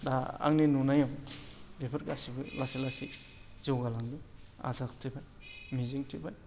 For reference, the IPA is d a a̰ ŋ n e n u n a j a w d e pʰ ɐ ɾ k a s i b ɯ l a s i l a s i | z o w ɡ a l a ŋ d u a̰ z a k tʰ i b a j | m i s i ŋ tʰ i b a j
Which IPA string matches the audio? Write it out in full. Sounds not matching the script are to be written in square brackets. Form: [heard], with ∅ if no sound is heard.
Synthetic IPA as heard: d a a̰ ŋ n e n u n a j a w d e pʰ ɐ ɾ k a s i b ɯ l a s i l a s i | z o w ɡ a l a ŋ d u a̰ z a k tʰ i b a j | m i [z] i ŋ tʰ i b a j